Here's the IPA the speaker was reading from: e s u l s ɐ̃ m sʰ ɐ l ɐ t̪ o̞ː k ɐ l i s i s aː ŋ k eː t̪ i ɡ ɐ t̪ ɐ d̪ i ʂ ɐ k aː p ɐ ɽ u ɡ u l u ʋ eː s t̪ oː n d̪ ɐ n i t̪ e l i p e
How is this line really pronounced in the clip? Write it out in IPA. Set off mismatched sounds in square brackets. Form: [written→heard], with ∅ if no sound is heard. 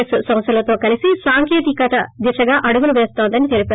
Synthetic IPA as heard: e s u [l→∅] s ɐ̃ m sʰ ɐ l ɐ t̪ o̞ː k ɐ l i s i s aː ŋ k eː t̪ i [ɡ→k] ɐ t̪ ɐ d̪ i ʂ ɐ [k→ɡ] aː [p→ʔ] ɐ ɽ u ɡ u l u ʋ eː s t̪ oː n d̪ ɐ n i t̪ e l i p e